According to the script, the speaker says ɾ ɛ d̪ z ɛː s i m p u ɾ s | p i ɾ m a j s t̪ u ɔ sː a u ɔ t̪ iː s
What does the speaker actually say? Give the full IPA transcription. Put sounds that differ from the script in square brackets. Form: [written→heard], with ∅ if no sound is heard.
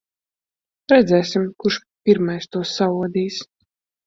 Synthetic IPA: ɾ ɛ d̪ z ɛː s i m [p→k] u ɾ [s→ʃ] | p i ɾ m a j s t̪ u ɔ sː a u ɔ [t̪→d̪] iː s